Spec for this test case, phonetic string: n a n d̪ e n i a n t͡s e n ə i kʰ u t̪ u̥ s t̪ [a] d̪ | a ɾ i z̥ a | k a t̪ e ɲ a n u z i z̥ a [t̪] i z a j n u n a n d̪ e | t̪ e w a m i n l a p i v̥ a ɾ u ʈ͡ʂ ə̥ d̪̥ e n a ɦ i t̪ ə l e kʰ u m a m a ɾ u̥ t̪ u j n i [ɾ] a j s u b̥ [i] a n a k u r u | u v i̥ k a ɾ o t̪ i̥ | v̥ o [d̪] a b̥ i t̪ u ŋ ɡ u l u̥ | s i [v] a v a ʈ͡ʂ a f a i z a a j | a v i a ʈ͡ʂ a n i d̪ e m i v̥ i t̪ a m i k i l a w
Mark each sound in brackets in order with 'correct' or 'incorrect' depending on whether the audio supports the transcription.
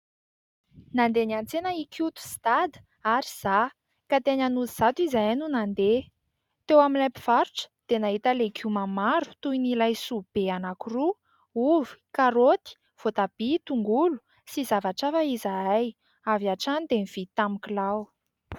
correct, correct, incorrect: l, incorrect: e, incorrect: t̪, incorrect: z

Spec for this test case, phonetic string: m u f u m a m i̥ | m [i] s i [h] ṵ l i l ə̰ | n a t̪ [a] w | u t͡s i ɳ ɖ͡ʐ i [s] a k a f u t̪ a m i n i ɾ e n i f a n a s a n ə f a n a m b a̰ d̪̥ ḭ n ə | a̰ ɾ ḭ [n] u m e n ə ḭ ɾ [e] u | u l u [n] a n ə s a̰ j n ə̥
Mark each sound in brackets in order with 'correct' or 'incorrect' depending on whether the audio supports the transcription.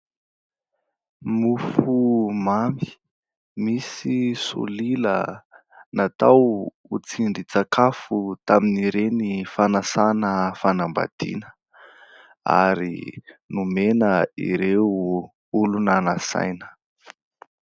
correct, incorrect: s, correct, incorrect: t͡s, correct, correct, correct

